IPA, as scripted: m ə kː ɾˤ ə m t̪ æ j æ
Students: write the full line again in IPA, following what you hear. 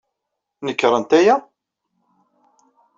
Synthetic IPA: n ə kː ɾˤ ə n t̪ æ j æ

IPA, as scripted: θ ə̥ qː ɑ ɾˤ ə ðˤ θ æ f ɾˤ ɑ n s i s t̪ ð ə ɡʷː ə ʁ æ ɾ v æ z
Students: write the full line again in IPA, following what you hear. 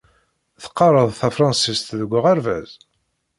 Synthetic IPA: θ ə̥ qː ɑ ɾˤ ə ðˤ θ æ f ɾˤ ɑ n s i s t̪ ð ə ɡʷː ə ʁ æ ɾ v æ z

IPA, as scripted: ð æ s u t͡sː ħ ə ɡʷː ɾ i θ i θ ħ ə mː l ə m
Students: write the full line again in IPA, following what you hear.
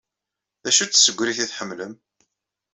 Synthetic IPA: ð æ ʃ u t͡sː s ə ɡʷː ɾ i θ i θ ħ ə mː l ə m

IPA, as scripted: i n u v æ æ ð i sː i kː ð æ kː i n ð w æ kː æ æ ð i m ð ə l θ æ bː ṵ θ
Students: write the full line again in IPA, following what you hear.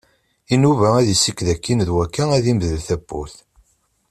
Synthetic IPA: i n u v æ æ ð i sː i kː ð æ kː i n ð w æ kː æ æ ð i m ð ə l θ æ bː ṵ θ

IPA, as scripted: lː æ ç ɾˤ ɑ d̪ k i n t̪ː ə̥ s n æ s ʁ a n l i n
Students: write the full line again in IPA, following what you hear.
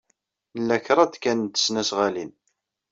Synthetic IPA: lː æ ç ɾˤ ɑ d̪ k æ n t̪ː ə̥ s n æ s ʁ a l i n

